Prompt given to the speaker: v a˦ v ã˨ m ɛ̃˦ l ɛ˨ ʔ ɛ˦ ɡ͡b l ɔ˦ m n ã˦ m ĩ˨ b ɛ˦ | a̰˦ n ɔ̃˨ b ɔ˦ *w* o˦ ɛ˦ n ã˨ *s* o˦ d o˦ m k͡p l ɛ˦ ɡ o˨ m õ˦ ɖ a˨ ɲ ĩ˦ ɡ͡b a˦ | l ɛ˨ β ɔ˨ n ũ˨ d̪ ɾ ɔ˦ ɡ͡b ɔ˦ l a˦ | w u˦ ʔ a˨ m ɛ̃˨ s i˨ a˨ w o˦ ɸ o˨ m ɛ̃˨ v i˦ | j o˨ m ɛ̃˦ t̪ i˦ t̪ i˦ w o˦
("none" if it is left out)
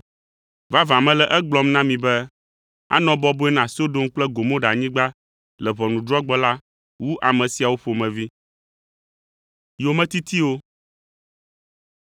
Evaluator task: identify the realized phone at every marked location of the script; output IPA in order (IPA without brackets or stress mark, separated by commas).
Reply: b, s